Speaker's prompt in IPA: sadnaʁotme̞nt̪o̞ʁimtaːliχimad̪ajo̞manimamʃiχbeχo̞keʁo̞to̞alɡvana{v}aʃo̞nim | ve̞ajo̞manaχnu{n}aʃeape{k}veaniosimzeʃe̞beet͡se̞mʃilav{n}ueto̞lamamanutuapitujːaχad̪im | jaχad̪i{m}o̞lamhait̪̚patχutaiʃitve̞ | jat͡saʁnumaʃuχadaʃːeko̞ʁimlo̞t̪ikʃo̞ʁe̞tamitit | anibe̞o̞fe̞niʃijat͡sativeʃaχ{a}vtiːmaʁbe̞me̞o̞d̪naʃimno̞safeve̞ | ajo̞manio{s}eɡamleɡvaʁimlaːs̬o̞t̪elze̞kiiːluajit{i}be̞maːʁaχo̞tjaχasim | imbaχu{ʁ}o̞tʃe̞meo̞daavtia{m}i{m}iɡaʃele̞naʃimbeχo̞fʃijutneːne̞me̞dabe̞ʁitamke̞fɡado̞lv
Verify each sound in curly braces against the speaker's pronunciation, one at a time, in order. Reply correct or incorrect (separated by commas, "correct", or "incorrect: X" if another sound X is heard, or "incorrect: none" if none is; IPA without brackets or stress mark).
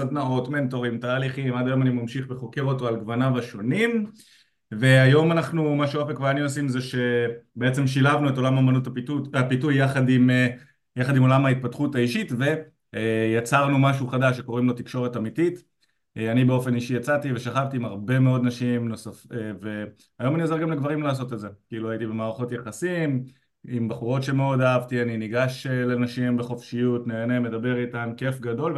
correct, incorrect: m, correct, correct, correct, correct, incorrect: z, correct, correct, incorrect: n, incorrect: n